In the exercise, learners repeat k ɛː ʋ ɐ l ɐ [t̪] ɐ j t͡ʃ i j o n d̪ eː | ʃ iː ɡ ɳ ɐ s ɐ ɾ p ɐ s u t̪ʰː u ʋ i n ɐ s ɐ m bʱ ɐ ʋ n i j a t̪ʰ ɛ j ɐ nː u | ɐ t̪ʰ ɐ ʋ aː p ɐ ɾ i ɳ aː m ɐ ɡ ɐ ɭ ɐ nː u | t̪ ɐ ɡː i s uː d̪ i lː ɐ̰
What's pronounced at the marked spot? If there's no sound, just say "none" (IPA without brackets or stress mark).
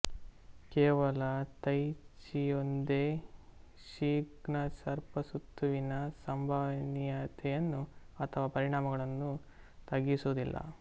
t̪